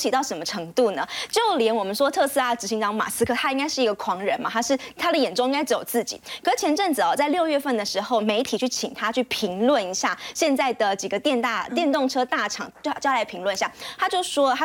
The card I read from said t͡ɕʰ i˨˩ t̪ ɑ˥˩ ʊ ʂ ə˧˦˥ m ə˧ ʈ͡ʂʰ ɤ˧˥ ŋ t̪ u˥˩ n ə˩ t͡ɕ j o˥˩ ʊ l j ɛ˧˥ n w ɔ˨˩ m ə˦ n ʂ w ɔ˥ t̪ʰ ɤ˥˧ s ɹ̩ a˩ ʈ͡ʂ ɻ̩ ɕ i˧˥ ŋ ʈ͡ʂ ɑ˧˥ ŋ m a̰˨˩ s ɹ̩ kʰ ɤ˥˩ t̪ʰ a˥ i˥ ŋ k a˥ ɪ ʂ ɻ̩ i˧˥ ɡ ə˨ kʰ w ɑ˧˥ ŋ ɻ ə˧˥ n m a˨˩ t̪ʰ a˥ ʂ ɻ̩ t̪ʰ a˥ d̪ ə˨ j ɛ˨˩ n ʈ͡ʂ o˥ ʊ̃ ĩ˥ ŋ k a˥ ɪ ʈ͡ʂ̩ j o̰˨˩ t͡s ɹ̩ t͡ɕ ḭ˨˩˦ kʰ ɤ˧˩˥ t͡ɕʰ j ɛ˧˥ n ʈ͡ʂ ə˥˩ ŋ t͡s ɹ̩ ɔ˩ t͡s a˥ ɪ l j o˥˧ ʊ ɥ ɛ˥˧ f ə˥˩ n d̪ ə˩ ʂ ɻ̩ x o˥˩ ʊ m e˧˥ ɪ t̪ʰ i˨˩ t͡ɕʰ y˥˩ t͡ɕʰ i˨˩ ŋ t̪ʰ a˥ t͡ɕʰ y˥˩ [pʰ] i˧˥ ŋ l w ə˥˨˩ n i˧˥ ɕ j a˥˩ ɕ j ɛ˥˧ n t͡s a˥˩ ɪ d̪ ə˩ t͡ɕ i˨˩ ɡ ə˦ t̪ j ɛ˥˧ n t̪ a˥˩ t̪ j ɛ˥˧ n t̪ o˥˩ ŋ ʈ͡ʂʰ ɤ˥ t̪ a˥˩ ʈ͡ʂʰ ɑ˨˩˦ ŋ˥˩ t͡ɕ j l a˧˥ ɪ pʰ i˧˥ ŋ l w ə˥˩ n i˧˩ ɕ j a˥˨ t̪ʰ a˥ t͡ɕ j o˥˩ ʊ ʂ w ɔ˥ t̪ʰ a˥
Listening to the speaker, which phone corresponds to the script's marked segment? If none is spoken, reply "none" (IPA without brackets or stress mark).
pʰ